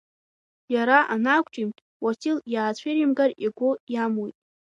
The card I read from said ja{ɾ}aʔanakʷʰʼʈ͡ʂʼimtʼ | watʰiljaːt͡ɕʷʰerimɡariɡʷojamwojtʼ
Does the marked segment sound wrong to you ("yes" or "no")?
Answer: no